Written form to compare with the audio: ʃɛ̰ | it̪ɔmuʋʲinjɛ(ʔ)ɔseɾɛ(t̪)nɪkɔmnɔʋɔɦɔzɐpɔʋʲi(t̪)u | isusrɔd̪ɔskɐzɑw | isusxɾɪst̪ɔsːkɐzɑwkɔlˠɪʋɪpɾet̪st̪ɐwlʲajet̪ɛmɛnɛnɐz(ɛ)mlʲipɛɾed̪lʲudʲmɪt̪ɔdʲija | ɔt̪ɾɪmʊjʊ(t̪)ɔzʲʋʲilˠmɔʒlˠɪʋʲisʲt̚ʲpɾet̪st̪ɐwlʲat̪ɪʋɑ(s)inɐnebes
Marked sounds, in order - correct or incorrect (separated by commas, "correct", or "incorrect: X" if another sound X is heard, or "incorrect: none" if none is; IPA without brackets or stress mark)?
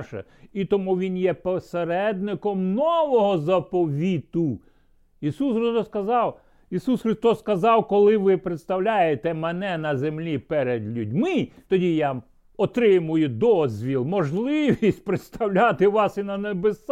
incorrect: p, incorrect: d̪, correct, incorrect: e, incorrect: d̪, correct